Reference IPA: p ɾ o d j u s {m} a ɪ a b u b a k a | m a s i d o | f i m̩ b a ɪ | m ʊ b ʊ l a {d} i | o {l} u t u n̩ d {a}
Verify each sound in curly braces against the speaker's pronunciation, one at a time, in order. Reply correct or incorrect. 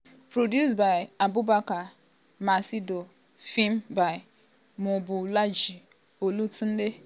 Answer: incorrect: b, incorrect: d͡ʒ, correct, incorrect: e

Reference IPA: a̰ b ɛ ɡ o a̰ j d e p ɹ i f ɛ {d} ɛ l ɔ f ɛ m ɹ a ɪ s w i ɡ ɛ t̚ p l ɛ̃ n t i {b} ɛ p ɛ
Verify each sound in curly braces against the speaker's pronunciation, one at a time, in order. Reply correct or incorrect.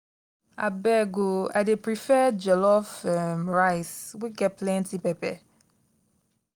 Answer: incorrect: d͡ʒ, incorrect: p

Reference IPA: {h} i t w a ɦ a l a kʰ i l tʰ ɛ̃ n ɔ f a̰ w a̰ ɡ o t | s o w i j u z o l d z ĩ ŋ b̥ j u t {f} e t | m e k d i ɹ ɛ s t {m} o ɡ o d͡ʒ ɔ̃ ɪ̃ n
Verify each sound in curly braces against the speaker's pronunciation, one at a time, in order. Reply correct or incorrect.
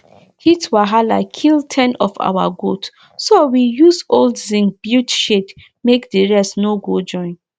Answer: correct, incorrect: ʃ, incorrect: n

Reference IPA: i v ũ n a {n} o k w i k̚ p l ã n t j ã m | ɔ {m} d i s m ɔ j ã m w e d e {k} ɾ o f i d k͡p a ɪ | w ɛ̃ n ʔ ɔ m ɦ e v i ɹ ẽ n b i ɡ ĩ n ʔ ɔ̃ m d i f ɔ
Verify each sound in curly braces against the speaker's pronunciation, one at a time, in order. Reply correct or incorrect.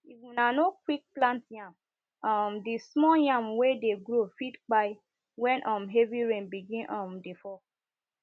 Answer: correct, correct, incorrect: ɡ

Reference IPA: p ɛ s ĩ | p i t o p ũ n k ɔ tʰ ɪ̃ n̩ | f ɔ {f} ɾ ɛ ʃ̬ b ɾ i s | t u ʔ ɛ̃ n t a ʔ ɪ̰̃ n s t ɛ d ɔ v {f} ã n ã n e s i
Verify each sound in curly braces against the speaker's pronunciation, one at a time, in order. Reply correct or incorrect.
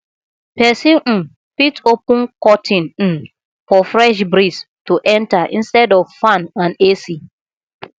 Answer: correct, correct

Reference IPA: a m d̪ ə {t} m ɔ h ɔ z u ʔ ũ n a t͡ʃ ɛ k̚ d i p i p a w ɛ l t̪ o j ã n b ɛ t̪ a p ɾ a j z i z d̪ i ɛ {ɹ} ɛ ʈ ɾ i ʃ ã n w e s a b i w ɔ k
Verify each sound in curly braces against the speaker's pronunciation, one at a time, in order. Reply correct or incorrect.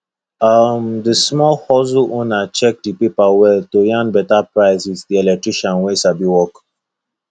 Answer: incorrect: s, incorrect: l

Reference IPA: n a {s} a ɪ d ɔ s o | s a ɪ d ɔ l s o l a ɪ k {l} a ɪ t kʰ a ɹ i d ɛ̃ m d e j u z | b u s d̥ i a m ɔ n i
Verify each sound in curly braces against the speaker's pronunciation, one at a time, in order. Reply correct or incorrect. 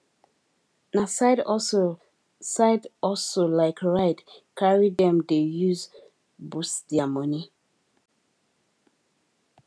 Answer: correct, incorrect: ɹ

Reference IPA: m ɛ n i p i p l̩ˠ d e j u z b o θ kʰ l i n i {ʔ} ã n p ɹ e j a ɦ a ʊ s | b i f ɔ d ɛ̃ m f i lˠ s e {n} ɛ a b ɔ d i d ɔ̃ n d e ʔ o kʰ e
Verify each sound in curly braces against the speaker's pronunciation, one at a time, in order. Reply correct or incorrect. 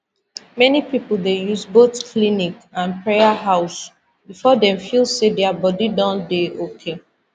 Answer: incorrect: k, incorrect: d

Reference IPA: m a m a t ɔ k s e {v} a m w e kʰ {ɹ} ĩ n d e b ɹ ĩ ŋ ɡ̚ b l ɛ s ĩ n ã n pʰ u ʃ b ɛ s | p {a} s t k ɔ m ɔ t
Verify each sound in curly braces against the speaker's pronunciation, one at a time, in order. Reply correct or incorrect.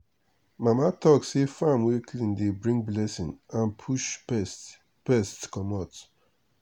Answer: incorrect: f, incorrect: l, incorrect: ɛ

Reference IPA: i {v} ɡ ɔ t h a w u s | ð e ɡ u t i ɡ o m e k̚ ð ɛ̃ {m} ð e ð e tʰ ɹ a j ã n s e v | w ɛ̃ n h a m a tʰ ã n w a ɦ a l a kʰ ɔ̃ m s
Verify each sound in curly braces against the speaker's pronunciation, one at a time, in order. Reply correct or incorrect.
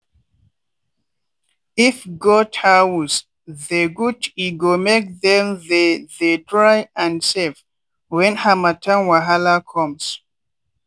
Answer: incorrect: f, correct

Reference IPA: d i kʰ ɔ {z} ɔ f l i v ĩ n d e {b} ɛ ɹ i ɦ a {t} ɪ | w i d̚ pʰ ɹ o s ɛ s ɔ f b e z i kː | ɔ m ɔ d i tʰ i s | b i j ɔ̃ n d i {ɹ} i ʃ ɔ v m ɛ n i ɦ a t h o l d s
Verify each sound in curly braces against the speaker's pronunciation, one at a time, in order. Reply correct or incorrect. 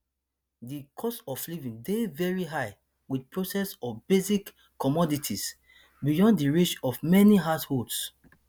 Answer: incorrect: s, incorrect: v, incorrect: none, correct

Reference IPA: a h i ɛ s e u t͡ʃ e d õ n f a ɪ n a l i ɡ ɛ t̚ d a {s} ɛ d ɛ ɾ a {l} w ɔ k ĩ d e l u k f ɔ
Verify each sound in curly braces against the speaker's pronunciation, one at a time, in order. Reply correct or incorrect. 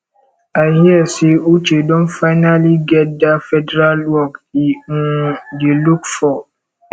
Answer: incorrect: f, correct

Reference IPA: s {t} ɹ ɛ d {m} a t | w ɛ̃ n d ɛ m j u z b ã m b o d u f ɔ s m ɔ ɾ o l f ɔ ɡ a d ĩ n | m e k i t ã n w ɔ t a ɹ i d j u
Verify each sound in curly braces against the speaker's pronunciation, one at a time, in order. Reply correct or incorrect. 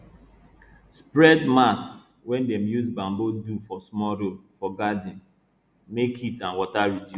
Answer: incorrect: p, correct

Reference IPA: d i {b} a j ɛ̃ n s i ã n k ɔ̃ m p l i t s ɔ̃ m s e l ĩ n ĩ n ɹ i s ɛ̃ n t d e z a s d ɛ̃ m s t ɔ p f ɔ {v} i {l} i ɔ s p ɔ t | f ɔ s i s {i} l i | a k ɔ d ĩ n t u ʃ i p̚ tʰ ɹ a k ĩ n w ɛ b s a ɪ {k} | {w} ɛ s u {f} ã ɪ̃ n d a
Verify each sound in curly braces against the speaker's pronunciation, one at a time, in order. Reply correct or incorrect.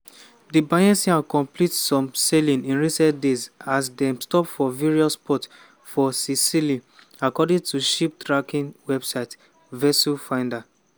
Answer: correct, correct, incorrect: ɹ, correct, incorrect: t, incorrect: v, correct

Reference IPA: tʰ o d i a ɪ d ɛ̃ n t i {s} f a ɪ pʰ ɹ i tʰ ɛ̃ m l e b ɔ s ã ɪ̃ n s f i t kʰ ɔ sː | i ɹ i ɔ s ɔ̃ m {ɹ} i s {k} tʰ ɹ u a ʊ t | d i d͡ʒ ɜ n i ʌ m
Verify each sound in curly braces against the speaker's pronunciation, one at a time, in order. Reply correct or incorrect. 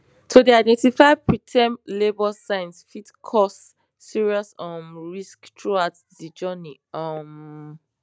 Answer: incorrect: none, correct, correct

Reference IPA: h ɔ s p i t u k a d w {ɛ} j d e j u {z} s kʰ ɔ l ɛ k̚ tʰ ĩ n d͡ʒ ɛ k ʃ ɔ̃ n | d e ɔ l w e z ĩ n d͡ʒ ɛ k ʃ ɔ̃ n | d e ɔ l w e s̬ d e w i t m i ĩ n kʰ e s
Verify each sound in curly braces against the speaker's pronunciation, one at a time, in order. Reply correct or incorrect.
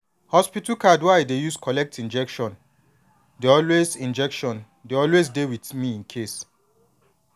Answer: incorrect: a, incorrect: none

